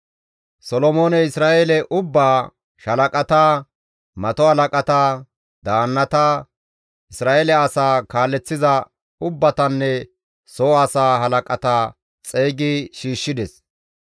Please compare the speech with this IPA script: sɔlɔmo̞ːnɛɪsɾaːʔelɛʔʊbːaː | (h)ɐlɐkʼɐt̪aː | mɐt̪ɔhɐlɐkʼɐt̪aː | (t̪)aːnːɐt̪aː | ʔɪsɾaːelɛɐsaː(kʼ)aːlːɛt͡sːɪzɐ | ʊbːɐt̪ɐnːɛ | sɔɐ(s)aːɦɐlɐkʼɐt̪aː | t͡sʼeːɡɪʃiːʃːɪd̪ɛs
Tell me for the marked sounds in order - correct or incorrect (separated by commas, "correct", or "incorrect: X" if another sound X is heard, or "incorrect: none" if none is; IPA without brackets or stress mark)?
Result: incorrect: ʃ, incorrect: d̪, incorrect: k, correct